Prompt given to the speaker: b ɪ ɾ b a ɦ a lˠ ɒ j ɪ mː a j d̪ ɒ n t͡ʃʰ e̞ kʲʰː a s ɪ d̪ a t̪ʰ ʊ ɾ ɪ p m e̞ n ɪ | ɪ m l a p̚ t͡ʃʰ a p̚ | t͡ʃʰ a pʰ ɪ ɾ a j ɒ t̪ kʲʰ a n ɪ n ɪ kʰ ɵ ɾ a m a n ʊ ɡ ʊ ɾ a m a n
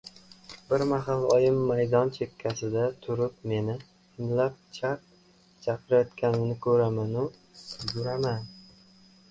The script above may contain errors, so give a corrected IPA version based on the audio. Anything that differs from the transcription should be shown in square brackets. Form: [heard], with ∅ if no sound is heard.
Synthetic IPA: b ɪ ɾ [m] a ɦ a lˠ ɒ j ɪ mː a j d̪ ɒ n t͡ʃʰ e̞ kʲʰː a s ɪ d̪ a t̪ʰ ʊ ɾ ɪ p m e̞ n ɪ | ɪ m l a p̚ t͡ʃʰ a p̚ | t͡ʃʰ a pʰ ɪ ɾ a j ɒ t̪ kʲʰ a n ɪ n ɪ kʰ ɵ ɾ a m a n ʊ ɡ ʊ ɾ a m a n